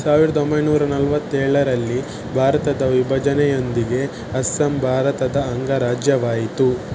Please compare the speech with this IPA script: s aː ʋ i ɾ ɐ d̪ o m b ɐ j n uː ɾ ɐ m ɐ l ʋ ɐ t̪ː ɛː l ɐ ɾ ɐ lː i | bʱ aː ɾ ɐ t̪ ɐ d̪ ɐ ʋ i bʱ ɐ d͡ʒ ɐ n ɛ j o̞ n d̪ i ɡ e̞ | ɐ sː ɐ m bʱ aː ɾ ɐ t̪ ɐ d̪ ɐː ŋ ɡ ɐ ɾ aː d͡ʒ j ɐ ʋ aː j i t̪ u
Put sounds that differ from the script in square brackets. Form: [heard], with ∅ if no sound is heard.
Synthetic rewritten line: s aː ʋ i ɾ ɐ d̪ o m b ɐ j n uː ɾ ɐ [n] ɐ l ʋ ɐ t̪ː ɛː [ɭ] ɐ ɾ ɐ lː i | bʱ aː ɾ ɐ t̪ ɐ d̪ ɐ ʋ i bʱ ɐ d͡ʒ ɐ n ɛ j o̞ n d̪ i ɡ e̞ | ɐ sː ɐ m bʱ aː ɾ ɐ t̪ ɐ d̪ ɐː ŋ ɡ ɐ ɾ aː d͡ʒ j ɐ ʋ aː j i t̪ u

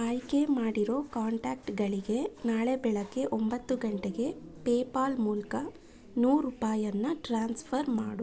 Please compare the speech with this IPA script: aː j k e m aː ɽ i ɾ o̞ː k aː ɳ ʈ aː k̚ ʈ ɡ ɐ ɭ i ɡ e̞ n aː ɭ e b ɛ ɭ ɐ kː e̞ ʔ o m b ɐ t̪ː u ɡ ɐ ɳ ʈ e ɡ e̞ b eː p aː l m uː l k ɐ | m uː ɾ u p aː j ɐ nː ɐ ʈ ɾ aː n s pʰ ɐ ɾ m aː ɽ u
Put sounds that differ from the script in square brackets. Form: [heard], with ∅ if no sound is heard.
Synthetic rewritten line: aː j k e m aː ɽ i ɾ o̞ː k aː ɳ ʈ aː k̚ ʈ ɡ ɐ ɭ i ɡ e̞ n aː ɭ e b ɛ ɭ ɐ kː e̞ ʔ o m b ɐ t̪ː u ɡ ɐ ɳ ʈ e ɡ e̞ [p] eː p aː l m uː l k ɐ | [n] uː ɾ u p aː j ɐ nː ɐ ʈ ɾ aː n s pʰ ɐ ɾ m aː ɽ u

